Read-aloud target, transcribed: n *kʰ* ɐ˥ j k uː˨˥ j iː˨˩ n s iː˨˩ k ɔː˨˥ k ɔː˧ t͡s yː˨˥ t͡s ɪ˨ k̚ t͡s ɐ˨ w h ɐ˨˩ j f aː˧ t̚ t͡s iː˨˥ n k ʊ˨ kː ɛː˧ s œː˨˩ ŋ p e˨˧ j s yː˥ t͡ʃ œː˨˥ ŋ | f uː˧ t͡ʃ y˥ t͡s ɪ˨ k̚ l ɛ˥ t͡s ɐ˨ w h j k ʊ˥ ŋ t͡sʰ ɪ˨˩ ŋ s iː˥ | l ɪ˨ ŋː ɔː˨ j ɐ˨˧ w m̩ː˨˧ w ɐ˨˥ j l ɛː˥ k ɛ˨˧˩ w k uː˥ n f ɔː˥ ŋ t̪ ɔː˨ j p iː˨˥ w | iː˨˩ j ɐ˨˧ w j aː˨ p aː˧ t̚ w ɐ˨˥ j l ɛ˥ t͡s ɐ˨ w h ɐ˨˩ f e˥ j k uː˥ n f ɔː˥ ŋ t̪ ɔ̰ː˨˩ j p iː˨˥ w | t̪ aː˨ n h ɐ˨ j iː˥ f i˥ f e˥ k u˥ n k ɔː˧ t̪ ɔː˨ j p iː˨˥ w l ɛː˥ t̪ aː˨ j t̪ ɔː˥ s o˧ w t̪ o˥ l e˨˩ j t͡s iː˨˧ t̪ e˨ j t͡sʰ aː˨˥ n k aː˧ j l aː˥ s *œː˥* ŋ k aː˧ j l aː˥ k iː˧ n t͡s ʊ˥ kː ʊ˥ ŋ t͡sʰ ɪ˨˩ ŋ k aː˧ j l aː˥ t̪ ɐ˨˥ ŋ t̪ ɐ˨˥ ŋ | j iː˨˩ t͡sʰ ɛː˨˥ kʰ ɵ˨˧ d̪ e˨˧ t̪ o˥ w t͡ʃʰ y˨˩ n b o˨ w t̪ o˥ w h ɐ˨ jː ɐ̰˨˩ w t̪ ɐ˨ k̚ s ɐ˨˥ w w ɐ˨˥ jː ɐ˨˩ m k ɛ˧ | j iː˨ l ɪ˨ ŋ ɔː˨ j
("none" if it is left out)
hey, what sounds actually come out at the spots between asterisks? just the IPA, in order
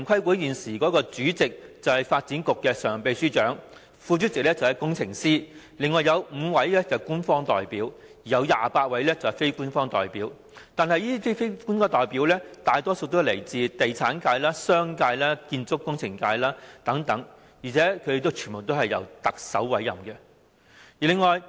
kʰ, œː˥

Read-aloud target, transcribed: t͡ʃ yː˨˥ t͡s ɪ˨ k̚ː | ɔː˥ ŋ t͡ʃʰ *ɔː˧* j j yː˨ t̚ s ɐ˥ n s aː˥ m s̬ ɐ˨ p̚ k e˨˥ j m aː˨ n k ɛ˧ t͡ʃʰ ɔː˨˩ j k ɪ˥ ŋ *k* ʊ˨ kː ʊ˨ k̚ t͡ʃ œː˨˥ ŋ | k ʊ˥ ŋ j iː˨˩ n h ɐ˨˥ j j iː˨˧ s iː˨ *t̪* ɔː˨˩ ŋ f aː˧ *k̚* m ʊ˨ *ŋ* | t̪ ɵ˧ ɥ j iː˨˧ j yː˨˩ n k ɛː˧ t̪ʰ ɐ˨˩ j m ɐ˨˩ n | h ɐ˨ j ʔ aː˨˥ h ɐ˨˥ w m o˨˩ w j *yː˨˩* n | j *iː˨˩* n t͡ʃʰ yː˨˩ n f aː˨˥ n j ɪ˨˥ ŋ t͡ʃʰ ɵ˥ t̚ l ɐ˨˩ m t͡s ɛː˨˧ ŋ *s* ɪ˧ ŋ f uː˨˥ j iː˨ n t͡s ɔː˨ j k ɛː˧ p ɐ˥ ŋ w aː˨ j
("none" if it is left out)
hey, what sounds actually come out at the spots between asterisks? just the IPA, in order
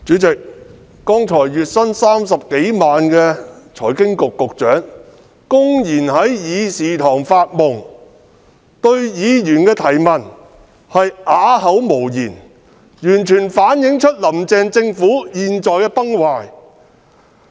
ɔː˨˩, k, t̪ʰ, t̚, ŋ, iː˨˩, yː˨˩, t͡s

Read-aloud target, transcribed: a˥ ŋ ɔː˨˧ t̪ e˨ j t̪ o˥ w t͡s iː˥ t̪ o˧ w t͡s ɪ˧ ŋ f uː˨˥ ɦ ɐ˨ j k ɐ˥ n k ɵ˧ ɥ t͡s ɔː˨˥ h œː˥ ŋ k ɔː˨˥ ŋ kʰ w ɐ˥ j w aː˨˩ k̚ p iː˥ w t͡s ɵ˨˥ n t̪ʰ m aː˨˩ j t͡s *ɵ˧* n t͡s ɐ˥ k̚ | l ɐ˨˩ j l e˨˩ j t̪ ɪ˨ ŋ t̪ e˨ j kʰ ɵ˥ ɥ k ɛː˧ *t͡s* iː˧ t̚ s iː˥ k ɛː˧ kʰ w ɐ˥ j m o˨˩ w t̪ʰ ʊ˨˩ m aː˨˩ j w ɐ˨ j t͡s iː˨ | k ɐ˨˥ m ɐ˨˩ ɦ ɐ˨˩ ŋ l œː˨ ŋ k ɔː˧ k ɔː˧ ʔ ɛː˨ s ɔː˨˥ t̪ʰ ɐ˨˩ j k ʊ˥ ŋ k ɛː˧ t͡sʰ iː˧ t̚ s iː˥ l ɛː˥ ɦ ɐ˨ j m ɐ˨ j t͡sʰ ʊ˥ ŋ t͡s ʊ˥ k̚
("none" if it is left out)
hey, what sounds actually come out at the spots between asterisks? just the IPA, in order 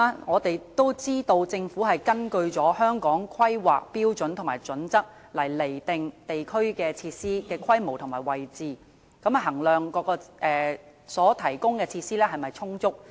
ɵ˨˥, t͡sʰ

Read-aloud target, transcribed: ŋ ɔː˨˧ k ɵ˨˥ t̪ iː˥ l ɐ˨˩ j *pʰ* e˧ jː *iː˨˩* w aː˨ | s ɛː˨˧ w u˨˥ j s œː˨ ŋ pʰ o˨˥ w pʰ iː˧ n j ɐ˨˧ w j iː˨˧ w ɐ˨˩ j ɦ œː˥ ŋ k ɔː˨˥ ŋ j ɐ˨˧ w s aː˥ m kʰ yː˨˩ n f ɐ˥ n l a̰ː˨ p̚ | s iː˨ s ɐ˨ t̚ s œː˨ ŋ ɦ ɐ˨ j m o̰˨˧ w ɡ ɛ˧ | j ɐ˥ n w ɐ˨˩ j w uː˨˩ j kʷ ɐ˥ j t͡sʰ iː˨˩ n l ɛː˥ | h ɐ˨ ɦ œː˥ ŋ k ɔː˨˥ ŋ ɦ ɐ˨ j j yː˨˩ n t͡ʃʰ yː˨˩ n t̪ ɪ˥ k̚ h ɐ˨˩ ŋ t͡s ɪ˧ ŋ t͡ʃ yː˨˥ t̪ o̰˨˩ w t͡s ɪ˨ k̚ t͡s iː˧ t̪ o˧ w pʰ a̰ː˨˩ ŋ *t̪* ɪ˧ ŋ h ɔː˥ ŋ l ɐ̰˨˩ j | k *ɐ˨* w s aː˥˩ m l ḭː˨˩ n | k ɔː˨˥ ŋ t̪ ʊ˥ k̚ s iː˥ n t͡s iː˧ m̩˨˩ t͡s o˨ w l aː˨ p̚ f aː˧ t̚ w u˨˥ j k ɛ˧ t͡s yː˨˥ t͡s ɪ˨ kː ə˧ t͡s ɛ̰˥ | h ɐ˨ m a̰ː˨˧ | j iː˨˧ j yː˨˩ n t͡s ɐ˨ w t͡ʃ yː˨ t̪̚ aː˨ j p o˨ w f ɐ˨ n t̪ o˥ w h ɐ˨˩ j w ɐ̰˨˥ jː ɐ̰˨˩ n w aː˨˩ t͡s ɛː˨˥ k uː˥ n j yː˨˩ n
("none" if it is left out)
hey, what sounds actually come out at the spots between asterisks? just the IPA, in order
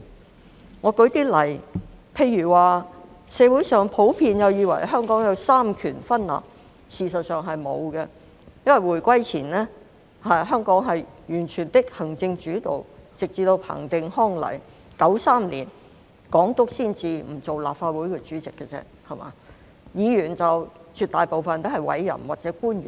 pʰ, yː˨˩, t̪, ɐ˨˥

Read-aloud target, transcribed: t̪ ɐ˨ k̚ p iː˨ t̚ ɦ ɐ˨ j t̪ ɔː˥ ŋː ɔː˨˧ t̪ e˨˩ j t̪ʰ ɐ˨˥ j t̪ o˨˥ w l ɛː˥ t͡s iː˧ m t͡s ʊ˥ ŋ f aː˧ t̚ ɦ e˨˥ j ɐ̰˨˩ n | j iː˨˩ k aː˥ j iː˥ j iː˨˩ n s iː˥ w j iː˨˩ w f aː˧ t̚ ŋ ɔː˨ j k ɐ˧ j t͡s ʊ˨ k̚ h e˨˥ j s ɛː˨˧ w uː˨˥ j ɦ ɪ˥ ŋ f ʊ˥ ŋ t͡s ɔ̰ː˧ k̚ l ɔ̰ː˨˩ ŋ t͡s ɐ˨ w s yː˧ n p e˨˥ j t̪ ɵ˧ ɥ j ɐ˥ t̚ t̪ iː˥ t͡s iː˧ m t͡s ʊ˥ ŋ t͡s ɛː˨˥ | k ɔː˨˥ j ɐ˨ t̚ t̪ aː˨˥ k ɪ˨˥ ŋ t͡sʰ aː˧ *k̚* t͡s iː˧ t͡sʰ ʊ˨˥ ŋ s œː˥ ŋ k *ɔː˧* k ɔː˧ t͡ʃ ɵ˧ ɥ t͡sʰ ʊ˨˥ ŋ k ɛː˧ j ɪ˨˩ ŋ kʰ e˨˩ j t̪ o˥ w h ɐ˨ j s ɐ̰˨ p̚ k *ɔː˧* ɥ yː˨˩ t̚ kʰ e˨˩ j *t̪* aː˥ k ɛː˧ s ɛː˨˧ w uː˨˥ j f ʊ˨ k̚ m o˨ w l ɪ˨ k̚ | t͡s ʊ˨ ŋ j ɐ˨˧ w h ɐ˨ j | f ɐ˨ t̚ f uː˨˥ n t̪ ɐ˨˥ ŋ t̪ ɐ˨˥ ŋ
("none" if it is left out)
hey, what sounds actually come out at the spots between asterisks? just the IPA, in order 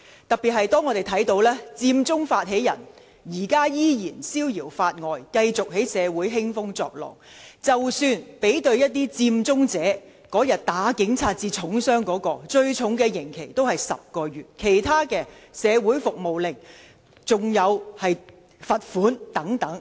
t̚, ɔː˨˥, ɔː˧, t̪ʰ

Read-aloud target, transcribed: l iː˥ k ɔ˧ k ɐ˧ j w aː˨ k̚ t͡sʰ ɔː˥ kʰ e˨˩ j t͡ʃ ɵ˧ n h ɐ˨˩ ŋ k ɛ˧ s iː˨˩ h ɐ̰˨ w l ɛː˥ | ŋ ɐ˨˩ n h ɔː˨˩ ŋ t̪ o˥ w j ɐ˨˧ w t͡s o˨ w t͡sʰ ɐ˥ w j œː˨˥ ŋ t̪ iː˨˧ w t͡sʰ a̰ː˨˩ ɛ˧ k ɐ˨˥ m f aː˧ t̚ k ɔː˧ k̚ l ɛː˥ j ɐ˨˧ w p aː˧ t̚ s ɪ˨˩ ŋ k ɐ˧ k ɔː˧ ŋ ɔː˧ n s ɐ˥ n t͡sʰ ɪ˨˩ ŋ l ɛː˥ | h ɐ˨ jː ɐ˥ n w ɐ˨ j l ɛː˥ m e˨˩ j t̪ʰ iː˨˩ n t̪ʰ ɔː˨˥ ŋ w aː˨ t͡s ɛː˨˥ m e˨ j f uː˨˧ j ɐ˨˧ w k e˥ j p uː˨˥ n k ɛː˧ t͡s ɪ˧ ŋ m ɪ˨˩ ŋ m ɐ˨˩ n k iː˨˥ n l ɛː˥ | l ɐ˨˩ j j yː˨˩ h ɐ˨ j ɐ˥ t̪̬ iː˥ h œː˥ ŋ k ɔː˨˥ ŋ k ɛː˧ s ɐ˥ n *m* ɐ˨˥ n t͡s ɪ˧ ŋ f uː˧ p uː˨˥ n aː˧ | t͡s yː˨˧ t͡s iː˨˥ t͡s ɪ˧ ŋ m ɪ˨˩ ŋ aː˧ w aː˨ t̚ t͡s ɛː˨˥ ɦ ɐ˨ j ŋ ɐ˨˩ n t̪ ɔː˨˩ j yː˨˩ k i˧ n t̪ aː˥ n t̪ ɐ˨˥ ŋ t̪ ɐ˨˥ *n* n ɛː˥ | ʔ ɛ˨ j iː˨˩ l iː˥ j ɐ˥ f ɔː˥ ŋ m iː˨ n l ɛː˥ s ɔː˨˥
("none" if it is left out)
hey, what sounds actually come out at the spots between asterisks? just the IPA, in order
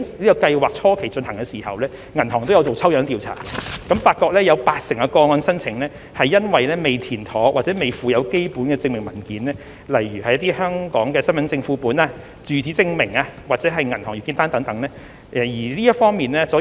m, ŋ

